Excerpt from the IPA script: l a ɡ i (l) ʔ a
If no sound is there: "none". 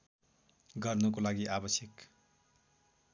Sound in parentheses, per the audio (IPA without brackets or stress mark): none